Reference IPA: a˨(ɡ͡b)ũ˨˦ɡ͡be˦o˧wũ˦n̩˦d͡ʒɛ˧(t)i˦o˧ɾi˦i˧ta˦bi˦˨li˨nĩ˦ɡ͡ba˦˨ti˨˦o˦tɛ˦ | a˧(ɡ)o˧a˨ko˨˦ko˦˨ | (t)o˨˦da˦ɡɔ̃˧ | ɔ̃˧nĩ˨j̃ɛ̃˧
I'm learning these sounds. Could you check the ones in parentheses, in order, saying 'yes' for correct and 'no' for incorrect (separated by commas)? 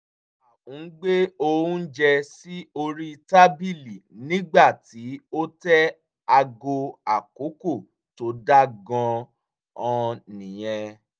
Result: no, no, yes, yes